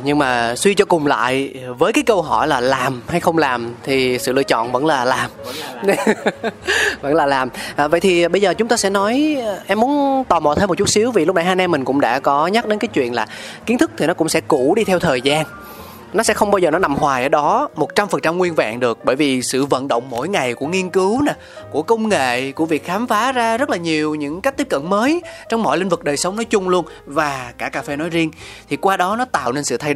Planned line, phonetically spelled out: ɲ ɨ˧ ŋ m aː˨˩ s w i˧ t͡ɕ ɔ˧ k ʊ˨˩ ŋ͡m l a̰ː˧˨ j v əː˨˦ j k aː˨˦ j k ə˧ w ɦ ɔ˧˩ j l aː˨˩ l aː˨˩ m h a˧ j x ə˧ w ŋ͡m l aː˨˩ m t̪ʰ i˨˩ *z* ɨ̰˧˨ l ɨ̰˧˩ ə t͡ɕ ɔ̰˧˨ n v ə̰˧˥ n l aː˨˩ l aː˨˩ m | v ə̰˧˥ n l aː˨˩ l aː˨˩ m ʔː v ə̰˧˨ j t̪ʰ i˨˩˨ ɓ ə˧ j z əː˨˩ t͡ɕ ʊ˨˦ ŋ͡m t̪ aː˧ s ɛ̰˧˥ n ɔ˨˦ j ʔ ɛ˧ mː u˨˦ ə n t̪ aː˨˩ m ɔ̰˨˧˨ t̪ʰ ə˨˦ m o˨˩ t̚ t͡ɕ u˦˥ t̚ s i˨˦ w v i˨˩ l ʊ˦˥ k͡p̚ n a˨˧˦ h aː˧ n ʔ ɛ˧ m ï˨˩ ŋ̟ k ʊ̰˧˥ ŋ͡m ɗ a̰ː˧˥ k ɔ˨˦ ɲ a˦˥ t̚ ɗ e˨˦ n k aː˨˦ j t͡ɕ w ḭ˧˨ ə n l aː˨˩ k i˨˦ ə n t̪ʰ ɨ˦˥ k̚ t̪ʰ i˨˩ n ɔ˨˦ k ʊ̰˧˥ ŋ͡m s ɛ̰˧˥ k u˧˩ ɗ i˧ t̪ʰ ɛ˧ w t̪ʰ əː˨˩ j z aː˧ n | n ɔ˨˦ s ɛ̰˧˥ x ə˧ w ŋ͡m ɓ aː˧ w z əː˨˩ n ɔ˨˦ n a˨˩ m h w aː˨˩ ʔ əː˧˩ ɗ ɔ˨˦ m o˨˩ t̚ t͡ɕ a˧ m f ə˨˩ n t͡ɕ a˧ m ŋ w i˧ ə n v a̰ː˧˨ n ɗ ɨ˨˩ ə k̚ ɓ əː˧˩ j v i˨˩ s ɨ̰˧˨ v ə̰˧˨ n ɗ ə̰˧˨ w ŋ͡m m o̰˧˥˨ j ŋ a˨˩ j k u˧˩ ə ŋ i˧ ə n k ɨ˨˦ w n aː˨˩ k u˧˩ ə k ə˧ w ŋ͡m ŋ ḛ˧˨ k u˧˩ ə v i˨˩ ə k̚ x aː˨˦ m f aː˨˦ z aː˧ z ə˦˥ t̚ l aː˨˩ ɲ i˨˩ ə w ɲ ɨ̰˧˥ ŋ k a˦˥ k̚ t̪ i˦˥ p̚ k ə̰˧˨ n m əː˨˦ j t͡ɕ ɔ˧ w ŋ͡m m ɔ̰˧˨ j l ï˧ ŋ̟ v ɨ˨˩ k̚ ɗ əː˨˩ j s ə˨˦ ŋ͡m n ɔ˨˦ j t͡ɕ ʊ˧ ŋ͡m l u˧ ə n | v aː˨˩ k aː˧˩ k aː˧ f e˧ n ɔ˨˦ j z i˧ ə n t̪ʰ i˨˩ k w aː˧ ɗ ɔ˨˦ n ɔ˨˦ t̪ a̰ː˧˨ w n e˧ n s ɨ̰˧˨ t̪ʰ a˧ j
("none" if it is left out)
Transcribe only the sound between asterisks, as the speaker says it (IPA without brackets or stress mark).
s